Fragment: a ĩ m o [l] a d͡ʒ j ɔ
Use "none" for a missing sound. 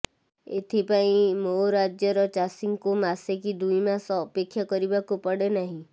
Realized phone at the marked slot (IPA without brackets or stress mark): ɾ